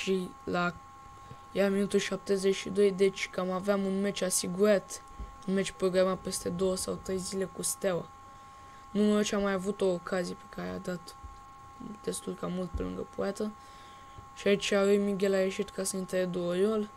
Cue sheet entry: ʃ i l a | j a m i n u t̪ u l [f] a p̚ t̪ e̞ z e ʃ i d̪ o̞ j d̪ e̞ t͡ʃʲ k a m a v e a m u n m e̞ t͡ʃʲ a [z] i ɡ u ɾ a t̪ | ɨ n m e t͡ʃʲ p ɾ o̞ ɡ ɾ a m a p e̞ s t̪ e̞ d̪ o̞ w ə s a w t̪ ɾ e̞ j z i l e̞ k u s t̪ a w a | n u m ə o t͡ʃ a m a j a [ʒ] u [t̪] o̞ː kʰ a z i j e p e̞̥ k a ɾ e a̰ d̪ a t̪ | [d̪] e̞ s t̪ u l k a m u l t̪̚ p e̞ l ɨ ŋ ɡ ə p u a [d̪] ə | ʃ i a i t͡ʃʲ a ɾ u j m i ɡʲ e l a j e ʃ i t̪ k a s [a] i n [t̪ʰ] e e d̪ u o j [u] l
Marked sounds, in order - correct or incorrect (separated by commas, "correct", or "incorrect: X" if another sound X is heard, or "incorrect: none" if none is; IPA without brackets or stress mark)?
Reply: incorrect: ʃ, incorrect: s, incorrect: v, correct, correct, incorrect: t̪, incorrect: ə, incorrect: t̪, incorrect: o